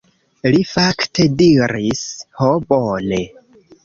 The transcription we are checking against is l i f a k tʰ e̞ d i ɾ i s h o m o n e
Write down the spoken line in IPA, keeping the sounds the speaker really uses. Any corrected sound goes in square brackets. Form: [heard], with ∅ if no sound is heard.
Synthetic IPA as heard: l i f a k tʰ e̞ d i ɾ i s h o [b] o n e